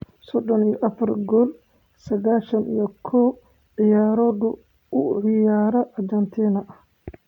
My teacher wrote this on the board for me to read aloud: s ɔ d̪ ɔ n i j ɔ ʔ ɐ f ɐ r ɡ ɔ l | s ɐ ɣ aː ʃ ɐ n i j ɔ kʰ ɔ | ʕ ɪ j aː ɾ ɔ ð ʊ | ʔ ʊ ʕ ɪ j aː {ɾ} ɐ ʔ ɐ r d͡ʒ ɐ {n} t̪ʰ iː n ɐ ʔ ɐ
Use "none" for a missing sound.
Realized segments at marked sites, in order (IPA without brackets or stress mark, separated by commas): ɾ, n